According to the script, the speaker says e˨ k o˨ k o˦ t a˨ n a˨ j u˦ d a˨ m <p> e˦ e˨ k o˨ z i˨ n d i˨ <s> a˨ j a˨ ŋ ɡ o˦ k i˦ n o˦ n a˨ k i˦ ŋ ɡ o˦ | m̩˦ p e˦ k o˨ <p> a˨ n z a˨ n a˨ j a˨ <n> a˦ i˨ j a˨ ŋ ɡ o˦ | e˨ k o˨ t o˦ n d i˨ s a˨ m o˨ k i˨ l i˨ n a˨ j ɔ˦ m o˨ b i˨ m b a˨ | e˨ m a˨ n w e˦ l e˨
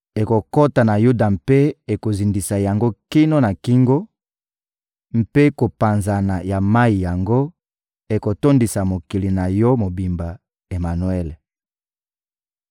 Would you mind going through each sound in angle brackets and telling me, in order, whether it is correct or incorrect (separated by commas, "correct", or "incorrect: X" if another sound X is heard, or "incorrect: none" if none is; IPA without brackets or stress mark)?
correct, correct, correct, incorrect: m